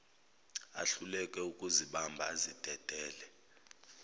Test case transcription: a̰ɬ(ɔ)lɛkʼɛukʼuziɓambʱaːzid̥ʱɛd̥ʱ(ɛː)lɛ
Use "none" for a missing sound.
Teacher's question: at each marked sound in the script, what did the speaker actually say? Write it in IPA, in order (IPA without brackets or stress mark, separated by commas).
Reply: u, ɛː